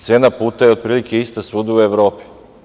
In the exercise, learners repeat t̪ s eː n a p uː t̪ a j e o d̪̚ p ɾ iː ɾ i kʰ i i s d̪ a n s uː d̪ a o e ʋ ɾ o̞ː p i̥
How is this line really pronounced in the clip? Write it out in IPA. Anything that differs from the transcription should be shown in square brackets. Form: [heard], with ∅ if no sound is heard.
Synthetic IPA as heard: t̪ s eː n a p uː t̪ a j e o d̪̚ p ɾ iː [l] i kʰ [e] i s [t̪] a [∅] s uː d̪ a [u] e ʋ ɾ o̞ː p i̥